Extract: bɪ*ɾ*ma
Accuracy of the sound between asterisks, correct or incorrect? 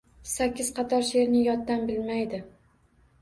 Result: incorrect